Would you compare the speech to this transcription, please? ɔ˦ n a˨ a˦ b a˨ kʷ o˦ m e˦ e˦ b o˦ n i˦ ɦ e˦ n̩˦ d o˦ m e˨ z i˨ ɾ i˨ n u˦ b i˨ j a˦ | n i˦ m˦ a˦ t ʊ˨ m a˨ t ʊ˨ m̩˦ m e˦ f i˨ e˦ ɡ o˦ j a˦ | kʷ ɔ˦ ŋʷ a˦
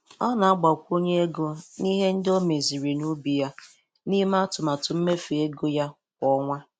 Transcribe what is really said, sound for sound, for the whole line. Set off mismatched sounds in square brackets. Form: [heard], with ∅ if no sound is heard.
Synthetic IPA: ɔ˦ n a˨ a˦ [ɡ͡b] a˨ kʷ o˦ [ɲ] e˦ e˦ [ɡ] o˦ n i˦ ɦ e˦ n̩˦ d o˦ m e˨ z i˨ ɾ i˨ n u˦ b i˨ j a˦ | n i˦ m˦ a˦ t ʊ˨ m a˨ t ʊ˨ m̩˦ m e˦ f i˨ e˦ ɡ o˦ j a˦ | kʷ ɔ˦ ŋʷ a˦